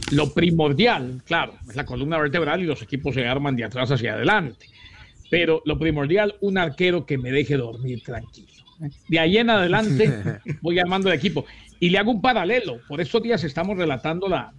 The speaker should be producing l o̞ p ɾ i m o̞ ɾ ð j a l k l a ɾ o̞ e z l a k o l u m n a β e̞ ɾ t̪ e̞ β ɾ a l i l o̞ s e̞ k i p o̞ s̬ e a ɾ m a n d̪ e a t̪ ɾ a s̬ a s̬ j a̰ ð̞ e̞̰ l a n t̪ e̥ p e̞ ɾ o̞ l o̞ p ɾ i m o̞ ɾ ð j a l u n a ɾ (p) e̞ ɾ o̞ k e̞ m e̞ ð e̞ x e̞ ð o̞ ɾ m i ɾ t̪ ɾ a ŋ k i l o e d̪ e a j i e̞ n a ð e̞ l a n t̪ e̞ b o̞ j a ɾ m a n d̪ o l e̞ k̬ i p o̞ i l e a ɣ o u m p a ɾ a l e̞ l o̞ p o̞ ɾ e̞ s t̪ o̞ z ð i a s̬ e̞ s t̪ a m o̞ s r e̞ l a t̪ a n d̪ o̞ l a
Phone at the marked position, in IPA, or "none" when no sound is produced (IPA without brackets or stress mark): k